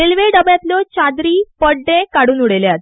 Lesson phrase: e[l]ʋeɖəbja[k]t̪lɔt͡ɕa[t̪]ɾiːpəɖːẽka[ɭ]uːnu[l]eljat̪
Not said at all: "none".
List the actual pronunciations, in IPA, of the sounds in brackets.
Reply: l, none, d̪, ɽ, ɽ

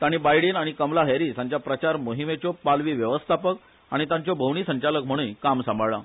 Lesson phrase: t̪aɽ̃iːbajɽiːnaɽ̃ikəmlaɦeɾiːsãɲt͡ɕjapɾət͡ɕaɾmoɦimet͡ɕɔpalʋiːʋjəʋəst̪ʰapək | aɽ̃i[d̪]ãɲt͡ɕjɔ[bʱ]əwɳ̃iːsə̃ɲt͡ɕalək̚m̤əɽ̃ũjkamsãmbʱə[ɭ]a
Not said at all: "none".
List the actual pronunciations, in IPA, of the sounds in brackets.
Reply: t̪, bʱ, ɭ

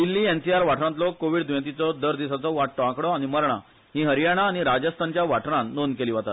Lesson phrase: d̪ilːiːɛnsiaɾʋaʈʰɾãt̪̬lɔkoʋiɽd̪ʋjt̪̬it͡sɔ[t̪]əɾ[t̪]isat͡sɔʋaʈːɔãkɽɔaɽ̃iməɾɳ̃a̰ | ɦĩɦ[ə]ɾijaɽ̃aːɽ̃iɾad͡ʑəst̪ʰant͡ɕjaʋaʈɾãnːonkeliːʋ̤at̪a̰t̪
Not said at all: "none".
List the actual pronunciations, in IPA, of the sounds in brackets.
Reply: d̪, d̪, ə

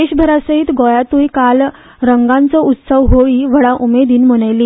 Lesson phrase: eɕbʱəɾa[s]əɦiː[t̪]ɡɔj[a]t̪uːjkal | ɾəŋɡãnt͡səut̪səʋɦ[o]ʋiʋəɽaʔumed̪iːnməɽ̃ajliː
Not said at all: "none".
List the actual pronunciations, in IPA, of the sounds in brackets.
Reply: s, t̪, a, o

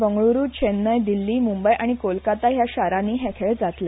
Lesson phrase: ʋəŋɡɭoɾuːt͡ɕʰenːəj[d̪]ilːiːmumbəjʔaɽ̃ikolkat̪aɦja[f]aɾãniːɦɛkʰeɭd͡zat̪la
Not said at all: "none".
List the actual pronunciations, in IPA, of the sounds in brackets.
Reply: d̪, ɕ

